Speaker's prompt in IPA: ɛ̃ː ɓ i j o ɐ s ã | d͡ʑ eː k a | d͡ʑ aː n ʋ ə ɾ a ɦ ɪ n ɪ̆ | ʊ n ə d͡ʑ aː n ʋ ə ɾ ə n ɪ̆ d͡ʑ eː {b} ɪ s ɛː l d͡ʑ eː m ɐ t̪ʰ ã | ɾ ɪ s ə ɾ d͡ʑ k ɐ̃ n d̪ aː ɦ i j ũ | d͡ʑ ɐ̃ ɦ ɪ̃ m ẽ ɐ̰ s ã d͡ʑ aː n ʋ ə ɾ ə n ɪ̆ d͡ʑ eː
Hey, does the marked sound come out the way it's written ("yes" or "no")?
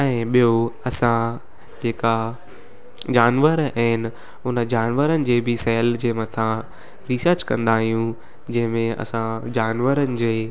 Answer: yes